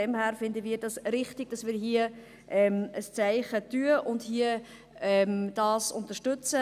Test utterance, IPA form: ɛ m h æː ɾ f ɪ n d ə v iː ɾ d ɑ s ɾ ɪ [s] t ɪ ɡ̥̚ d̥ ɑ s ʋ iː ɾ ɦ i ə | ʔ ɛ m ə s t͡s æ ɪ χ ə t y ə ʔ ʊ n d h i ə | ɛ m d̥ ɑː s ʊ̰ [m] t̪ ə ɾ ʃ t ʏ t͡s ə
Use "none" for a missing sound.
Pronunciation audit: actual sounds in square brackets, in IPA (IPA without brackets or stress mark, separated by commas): χ, n